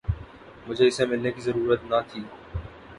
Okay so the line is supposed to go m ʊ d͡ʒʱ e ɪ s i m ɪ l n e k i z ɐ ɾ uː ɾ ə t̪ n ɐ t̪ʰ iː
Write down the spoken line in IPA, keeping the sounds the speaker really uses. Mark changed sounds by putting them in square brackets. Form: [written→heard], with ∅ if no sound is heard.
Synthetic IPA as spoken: m ʊ d͡ʒʱ e ɪ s [i→e] m ɪ l n e k i z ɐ ɾ uː ɾ ə t̪ n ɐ t̪ʰ iː

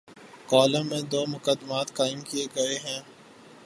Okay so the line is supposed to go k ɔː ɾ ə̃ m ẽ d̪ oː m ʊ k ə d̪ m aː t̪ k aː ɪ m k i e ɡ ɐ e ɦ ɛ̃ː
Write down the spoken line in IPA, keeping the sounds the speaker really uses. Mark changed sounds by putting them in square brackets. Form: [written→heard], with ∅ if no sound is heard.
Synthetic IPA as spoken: k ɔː [ɾ→l] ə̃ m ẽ d̪ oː m ʊ k ə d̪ m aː t̪ k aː ɪ m k i e ɡ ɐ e ɦ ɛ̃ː

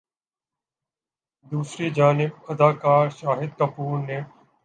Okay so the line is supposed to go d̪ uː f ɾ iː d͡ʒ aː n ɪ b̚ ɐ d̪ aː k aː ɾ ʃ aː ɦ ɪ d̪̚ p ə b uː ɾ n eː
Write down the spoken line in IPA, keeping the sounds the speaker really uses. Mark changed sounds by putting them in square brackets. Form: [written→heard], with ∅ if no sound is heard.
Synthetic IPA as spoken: d̪ uː [f→s] ɾ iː d͡ʒ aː n ɪ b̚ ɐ d̪ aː k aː ɾ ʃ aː ɦ ɪ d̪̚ [p→k] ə [b→p] uː ɾ n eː

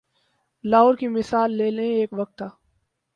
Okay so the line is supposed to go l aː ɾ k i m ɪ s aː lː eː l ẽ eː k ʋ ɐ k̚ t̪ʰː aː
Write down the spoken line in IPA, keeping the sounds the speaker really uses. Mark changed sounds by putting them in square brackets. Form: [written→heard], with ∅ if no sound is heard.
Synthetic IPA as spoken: l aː ɾ k i m ɪ s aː lː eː l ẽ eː k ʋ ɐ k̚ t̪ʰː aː

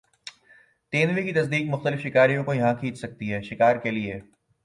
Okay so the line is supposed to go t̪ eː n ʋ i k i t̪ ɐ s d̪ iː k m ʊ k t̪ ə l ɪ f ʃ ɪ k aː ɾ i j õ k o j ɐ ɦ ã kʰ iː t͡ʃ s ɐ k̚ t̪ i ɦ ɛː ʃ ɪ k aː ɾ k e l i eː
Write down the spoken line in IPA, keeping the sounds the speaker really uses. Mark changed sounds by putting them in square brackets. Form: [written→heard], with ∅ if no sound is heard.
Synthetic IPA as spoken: t̪ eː n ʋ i k i t̪ ɐ s d̪ iː k m ʊ [k→x] t̪ ə l ɪ f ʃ ɪ k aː ɾ i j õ k o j ɐ ɦ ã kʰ iː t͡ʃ s ɐ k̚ t̪ i ɦ ɛː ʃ ɪ k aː ɾ k e l i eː

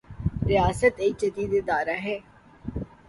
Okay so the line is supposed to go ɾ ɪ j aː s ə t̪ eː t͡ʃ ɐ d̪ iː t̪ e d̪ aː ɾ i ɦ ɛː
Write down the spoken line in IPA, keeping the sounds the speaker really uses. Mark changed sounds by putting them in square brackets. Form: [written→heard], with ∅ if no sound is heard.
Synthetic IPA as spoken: ɾ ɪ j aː s ə t̪ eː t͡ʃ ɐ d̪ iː [t̪→d̪] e d̪ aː ɾ [i→a] ɦ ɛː

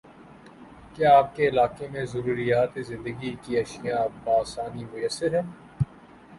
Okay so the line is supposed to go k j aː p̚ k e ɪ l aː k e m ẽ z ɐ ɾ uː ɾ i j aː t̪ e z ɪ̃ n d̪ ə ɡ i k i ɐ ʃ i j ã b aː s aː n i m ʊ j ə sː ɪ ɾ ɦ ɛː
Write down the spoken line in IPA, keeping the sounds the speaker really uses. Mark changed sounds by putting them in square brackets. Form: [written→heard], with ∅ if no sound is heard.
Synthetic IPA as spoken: k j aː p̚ k e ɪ l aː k e m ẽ z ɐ ɾ uː ɾ i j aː t̪ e z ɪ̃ n d̪ ə ɡ i k i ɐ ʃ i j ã b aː s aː n i m ʊ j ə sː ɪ ɾ ɦ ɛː

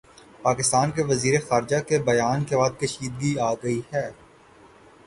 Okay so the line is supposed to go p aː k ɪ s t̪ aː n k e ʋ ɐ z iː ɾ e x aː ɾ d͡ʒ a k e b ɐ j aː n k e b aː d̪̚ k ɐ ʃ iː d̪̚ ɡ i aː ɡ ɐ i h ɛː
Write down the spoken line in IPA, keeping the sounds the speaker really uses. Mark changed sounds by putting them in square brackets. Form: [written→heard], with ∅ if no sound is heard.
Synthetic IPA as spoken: p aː k ɪ s t̪ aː n k e ʋ ɐ z iː ɾ e x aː ɾ d͡ʒ a k e b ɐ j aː n k e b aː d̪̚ k ɐ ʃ iː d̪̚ ɡ i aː ɡ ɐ i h ɛː

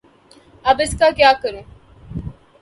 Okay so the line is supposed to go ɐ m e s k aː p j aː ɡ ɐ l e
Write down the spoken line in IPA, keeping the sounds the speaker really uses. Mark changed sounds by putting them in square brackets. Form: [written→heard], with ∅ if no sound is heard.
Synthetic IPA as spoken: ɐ [m→b] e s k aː [p→k] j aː [ɡ→k] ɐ [l→ɾ] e

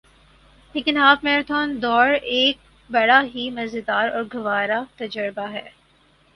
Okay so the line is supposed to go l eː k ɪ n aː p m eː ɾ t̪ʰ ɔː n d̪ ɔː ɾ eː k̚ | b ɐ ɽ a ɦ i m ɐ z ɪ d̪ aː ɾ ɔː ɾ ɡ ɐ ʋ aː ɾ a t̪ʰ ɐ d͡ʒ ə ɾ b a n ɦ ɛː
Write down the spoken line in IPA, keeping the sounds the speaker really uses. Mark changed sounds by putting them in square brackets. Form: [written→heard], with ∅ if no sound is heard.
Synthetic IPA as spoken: l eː k ɪ n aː p m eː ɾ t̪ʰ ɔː n d̪ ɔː ɾ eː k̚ | b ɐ ɽ a ɦ i m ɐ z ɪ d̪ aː ɾ ɔː ɾ ɡ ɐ ʋ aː ɾ a [t̪ʰ→t̪] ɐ d͡ʒ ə ɾ b a [n→∅] ɦ ɛː

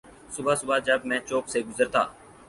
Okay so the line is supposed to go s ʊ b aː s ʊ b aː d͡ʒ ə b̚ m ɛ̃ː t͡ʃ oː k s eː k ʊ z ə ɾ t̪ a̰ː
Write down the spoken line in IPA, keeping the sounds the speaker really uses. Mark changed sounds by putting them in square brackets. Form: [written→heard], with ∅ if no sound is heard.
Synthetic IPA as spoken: s ʊ b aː s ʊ b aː d͡ʒ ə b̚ m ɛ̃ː t͡ʃ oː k s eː [k→ɡ] ʊ z ə ɾ t̪ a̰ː

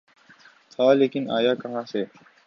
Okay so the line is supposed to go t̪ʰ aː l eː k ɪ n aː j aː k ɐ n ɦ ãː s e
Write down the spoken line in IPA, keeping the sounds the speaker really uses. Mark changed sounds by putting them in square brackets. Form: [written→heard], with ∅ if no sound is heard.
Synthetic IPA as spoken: t̪ʰ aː l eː k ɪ n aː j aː k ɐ [n→∅] ɦ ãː s e

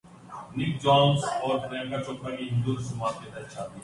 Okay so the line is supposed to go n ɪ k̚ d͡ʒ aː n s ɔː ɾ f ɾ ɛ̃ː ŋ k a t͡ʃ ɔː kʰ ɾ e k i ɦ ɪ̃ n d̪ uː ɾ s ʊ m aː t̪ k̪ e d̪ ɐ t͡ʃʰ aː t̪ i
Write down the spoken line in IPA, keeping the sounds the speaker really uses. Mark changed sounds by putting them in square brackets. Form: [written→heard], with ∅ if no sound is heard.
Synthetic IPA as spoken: n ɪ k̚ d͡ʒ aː n s ɔː ɾ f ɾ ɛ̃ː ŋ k a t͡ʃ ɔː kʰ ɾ [e→a] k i ɦ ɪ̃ n d̪ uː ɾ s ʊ m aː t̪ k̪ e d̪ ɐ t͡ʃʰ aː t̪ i

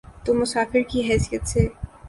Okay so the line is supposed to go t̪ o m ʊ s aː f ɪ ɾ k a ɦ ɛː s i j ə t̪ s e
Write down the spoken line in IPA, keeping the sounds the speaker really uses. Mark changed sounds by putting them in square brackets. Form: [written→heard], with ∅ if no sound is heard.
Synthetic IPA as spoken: t̪ o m ʊ s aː f ɪ ɾ k [a→i] ɦ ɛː s i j ə t̪ s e

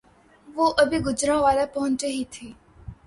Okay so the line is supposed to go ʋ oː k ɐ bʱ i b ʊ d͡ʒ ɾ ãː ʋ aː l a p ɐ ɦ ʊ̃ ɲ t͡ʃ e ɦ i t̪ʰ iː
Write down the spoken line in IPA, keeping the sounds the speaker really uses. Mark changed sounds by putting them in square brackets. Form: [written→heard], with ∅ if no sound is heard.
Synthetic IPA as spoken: ʋ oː [k→ʔ] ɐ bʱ i [b→ɡ] ʊ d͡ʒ ɾ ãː ʋ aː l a p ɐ ɦ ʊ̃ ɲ t͡ʃ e ɦ i t̪ʰ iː

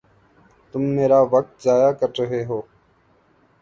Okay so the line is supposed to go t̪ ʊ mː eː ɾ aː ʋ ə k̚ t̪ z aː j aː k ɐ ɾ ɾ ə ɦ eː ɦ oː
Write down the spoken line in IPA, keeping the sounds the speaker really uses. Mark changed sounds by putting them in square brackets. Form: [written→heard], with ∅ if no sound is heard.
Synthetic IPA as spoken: t̪ ʊ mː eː ɾ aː ʋ ə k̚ t̪ z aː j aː k [ɐ→ə] ɾ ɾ ə ɦ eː ɦ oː

